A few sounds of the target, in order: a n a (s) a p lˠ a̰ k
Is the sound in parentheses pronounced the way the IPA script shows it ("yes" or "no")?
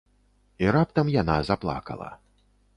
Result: no